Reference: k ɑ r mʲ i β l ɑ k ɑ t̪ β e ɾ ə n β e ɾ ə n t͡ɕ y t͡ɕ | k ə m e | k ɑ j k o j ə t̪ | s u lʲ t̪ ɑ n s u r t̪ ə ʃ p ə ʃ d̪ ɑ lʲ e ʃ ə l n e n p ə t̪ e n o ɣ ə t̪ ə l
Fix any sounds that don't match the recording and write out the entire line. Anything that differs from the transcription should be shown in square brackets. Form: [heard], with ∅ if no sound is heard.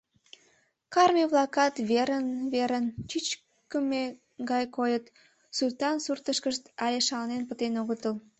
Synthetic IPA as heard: k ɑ r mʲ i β l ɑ k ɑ t̪ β e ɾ ə n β e ɾ ə n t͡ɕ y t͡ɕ | k ə m e | [ɡ] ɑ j k o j ə t̪ | s u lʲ t̪ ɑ n s u r t̪ ə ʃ [k] ə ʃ [t̪] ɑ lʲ e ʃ [ɑ] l n e n p ə t̪ e n o ɣ ə t̪ ə l